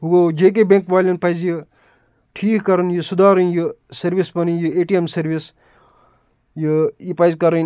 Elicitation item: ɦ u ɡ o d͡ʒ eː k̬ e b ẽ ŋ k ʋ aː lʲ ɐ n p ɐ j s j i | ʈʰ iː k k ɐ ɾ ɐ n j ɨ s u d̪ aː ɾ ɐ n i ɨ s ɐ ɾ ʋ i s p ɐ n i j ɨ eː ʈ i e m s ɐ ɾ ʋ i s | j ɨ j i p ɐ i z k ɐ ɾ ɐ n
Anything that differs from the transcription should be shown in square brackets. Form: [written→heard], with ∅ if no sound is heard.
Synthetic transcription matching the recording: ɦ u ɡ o d͡ʒ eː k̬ e b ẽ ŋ k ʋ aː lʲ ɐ n p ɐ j [s→z] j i | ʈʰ iː k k ɐ ɾ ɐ n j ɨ s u d̪ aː ɾ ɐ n [i→j] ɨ s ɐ ɾ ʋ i s p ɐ n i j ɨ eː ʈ i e m s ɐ ɾ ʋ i s | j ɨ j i p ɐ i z k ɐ ɾ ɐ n